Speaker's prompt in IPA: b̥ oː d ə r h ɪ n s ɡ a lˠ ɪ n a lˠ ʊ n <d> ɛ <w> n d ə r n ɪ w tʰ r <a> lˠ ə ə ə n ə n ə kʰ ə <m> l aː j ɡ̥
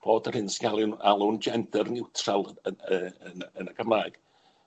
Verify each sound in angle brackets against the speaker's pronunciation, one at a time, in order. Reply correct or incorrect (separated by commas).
incorrect, incorrect, correct, correct